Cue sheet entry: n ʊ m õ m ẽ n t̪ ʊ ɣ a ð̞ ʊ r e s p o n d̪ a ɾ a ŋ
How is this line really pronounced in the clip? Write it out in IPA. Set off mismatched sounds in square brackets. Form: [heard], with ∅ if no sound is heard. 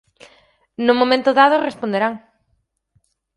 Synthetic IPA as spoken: n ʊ m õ m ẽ n t̪ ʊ [ð] a ð̞ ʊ r e s p o n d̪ [e] ɾ a ŋ